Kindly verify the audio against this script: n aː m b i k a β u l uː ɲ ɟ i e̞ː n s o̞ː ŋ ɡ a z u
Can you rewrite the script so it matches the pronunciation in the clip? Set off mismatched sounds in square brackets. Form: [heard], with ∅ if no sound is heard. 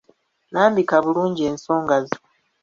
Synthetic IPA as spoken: n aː m b i k a β u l uː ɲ ɟ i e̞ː n s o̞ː ŋ ɡ a z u

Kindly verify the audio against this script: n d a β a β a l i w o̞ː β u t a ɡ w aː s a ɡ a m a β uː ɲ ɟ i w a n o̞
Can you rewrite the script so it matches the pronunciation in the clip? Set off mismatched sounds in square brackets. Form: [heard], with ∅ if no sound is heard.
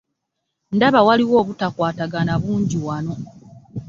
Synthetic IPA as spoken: n d a β a [w] a l i w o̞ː β u t a [k] w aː [t] a ɡ a [n] a β uː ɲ ɟ i w a n o̞

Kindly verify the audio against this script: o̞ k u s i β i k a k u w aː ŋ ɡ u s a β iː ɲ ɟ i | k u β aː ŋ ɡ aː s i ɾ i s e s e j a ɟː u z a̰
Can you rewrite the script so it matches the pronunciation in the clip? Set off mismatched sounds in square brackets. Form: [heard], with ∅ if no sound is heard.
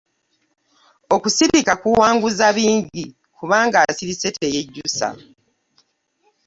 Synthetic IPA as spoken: o̞ k u s i β i k a k u w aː ŋ ɡ u [z] a β iː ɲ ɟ i | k u β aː ŋ ɡ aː s i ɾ i s e [t] e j [e] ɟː u [s] a̰

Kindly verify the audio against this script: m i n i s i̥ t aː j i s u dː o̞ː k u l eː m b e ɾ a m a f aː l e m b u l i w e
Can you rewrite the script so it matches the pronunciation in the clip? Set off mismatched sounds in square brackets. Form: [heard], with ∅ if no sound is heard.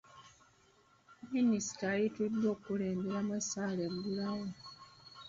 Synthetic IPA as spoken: m i n i s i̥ t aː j i [t] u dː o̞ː k u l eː m b e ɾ a m a [s] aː l e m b u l [a] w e

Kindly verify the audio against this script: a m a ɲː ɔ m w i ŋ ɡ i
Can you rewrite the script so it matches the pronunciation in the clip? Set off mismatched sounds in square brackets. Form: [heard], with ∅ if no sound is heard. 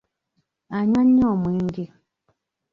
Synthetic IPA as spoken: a [ɲ] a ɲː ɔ m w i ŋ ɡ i

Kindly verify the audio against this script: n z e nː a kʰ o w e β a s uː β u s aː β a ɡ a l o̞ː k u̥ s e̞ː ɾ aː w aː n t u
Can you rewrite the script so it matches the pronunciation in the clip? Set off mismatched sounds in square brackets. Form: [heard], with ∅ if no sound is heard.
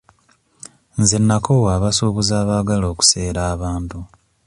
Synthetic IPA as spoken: n z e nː a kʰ o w [a] β a s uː β u [z] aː β a ɡ a l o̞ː k u̥ s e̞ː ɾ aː [β] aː n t u

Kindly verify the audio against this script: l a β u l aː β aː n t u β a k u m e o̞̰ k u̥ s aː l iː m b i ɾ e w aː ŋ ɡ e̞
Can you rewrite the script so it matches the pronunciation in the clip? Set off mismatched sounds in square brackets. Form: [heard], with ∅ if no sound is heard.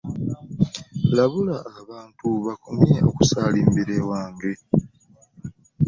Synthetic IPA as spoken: l a β u l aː β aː n t u β a k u m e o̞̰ k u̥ s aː l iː m b i ɾ e w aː ŋ ɡ e̞

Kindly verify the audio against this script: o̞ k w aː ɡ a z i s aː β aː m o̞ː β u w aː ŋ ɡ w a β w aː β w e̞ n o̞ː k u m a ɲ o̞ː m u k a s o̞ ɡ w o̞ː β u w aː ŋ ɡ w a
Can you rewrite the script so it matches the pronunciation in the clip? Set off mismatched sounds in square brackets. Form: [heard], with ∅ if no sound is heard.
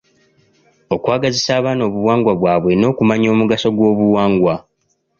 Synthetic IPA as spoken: o̞ k w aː ɡ a z i s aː β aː [n] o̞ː β u w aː ŋ ɡ w a β w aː β w e̞ n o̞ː k u m a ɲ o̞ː m u [ɡ] a s o̞ ɡ w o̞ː β u w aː ŋ ɡ w a

